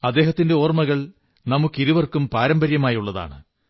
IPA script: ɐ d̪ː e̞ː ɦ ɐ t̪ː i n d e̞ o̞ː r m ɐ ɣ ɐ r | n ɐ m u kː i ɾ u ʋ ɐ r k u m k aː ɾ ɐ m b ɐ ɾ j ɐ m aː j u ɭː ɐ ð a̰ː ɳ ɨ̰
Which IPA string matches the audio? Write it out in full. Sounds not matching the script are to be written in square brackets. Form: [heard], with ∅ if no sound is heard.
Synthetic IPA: ɐ d̪ː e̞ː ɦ ɐ t̪ː i n d e̞ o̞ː r m ɐ ɣ ɐ [ɭ] | n ɐ m u kː i ɾ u ʋ ɐ r k u m [p] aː ɾ ɐ m b ɐ ɾ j ɐ m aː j u ɭː ɐ ð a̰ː ɳ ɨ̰